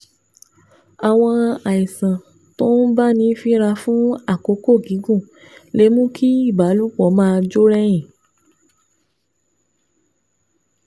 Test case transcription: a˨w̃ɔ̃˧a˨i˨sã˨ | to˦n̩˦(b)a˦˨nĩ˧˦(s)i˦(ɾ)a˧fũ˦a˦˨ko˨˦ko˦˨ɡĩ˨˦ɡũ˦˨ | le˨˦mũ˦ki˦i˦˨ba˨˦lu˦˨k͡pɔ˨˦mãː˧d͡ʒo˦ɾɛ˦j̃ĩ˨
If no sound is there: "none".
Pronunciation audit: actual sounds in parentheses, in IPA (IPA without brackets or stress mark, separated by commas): b, f, ɾ